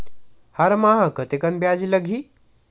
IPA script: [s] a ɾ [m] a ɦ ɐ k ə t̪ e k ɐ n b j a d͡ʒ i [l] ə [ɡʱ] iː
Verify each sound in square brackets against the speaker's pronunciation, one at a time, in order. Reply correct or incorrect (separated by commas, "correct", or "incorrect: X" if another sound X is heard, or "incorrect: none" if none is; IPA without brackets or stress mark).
incorrect: h, correct, correct, correct